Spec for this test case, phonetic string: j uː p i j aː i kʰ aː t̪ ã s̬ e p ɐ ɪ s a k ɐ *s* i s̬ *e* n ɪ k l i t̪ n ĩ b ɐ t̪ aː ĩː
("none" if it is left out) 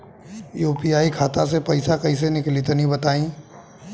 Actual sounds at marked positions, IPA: none, e

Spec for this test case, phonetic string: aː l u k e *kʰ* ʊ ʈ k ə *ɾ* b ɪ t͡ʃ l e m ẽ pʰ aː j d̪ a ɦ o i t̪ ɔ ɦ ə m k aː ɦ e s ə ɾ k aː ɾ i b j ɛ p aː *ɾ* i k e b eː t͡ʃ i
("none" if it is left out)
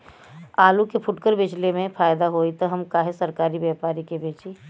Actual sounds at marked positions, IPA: pʰ, ɾ, ɾ

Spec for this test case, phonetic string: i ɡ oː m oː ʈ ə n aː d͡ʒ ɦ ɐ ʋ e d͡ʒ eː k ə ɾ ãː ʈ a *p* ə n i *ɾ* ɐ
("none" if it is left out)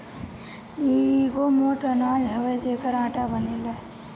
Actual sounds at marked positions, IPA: b, l

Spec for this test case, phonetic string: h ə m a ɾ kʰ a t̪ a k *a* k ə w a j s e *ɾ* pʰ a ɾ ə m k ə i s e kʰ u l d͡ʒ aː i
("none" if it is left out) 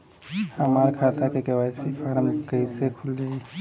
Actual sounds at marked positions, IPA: e, none

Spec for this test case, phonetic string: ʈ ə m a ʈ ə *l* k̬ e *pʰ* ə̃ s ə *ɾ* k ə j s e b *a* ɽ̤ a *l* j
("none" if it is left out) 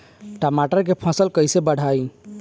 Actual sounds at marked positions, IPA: ɾ, pʰ, l, ə, none

